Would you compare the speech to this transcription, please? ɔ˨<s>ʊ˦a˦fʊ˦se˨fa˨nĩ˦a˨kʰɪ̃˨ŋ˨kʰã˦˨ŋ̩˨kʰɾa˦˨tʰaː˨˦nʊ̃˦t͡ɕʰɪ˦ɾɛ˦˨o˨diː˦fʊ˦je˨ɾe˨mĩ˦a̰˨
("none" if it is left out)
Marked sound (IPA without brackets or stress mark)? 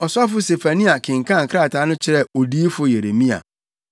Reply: s